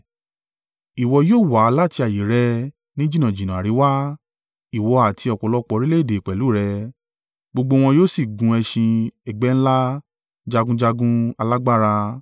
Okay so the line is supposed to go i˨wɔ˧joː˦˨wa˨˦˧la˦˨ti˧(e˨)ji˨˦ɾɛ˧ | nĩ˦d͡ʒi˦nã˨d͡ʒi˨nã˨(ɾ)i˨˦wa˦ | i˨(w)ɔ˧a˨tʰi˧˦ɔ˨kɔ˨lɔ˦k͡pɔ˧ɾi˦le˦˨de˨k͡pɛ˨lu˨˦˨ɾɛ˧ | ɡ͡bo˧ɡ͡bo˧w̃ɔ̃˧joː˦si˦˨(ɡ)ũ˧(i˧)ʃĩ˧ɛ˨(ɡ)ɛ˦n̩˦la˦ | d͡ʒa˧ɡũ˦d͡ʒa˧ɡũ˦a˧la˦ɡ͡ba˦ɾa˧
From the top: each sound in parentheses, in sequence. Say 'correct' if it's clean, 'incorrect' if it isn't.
incorrect: a˨, correct, correct, correct, incorrect: ɛ˧, incorrect: ɡ͡b

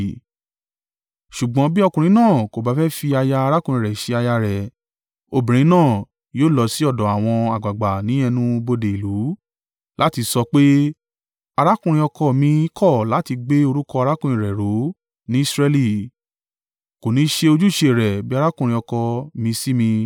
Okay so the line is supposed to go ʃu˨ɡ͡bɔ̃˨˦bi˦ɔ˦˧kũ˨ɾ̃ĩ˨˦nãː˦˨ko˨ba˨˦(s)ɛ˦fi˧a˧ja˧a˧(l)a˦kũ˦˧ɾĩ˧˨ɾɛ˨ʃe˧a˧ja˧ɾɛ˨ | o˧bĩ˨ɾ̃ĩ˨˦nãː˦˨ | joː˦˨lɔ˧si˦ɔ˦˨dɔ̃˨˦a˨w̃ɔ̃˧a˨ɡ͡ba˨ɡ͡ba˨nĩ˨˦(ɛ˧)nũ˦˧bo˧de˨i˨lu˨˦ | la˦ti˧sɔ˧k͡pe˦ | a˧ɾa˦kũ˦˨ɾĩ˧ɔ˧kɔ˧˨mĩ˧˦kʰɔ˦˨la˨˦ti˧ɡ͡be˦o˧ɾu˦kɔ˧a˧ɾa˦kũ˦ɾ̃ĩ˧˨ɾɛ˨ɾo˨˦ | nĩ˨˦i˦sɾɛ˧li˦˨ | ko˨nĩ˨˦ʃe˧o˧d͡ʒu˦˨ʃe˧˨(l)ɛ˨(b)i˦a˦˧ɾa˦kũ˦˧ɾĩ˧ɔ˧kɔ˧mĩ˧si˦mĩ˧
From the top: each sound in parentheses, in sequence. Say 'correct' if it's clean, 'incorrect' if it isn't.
incorrect: f, incorrect: ɾ, correct, incorrect: ɾ, correct

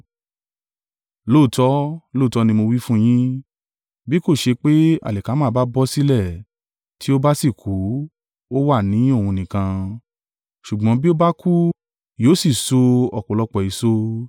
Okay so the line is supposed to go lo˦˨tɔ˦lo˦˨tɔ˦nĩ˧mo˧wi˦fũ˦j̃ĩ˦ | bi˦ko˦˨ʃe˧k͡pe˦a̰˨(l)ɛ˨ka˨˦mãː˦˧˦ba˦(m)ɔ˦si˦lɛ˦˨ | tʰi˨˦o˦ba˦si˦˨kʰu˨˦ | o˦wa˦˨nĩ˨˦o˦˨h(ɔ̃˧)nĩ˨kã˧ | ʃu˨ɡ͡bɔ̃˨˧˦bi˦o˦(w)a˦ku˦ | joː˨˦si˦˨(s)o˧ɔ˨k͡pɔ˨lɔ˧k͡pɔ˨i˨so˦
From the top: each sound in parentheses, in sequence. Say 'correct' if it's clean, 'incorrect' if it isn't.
correct, incorrect: b, incorrect: ũ˧, incorrect: b, correct

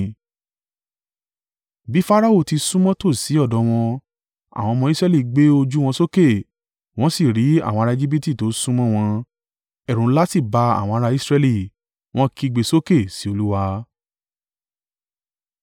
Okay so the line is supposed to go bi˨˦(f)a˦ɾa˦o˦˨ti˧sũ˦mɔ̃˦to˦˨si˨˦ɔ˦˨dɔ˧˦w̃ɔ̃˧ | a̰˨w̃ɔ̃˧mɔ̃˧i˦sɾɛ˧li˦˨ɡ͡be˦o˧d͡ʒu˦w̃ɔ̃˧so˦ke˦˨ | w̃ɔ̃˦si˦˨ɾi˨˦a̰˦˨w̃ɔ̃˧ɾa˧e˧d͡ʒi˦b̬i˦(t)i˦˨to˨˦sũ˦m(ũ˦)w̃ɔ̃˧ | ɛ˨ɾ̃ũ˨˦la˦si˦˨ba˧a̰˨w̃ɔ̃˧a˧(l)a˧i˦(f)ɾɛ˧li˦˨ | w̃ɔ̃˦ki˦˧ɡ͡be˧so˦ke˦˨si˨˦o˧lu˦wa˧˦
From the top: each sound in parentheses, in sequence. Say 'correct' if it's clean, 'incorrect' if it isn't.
correct, correct, incorrect: ɔ̃˦, incorrect: ɾ, incorrect: s

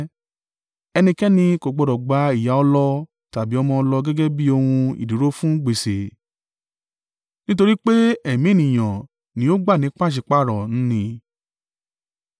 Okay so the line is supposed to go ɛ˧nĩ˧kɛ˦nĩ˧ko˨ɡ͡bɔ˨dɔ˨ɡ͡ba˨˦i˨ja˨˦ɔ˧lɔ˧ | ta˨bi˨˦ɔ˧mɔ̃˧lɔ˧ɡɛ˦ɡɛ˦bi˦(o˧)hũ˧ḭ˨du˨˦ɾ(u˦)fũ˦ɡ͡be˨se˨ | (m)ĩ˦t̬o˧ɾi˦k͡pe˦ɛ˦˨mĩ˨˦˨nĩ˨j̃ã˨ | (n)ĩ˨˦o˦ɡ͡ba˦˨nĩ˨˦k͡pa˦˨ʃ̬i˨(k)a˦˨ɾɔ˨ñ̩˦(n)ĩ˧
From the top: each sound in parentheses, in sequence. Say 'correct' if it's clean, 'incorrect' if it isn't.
correct, incorrect: o˦, incorrect: n, correct, incorrect: k͡p, correct

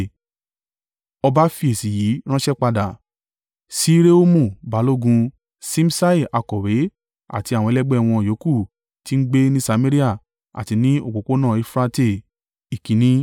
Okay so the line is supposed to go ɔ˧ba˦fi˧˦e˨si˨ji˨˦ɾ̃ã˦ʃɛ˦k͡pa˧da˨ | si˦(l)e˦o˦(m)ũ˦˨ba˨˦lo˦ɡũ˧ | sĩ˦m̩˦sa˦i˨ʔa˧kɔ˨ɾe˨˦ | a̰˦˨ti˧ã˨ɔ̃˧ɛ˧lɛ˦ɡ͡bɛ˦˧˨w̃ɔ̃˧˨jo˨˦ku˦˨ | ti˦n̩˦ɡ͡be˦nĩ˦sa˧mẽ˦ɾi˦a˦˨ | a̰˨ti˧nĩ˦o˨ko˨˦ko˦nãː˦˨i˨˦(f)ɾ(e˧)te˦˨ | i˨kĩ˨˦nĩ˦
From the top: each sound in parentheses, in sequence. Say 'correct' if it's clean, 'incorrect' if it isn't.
incorrect: ɾ, correct, correct, incorrect: a˧

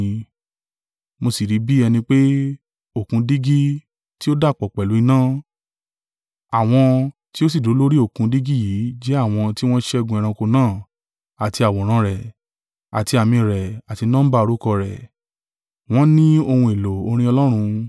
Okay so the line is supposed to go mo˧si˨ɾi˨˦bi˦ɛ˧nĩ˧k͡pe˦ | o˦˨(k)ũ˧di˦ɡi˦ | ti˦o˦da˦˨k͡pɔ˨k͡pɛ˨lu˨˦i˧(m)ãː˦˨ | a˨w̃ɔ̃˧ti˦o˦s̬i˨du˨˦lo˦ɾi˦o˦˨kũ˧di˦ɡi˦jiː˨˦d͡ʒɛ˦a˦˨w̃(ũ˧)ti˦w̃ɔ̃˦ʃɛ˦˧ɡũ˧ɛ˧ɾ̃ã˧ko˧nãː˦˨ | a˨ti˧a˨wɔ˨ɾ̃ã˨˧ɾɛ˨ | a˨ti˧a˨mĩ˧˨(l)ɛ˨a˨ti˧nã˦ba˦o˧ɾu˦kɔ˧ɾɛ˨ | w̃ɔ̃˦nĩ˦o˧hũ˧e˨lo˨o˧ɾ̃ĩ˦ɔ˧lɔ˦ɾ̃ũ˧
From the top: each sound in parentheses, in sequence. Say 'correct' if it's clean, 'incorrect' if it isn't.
correct, incorrect: n, incorrect: ɔ̃˧, incorrect: ɾ

